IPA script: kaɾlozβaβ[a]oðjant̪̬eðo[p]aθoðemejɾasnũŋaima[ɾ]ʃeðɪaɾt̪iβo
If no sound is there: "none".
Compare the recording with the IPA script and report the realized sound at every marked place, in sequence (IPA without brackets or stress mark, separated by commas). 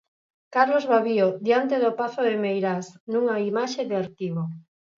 i, p, none